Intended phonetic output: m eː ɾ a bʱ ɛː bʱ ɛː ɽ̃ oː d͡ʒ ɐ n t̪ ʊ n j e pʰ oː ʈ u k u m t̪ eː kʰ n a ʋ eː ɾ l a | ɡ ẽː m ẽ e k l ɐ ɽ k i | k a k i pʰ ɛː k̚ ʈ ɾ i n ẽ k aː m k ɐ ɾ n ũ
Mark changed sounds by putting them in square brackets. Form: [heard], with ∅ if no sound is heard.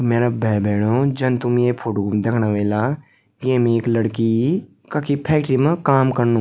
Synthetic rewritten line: m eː ɾ a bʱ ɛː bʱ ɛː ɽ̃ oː d͡ʒ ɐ n t̪ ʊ [m] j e pʰ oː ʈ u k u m [d̪] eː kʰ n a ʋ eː [∅] l a | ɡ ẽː m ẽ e k l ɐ ɽ k i | k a k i pʰ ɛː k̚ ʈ ɾ i [m] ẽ k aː m k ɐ ɾ n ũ